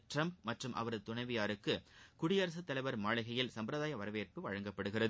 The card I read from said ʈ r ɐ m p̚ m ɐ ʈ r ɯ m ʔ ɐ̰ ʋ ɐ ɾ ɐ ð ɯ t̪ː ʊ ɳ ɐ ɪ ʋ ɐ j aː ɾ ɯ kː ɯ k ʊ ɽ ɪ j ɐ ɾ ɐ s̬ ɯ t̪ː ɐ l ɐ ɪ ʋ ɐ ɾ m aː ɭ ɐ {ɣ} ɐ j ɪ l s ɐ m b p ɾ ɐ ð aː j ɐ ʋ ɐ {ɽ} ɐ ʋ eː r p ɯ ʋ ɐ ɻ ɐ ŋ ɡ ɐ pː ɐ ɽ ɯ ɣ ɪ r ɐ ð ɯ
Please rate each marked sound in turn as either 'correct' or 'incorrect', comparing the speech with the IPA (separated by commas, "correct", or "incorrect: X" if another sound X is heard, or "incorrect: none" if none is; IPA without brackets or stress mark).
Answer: correct, incorrect: ɾ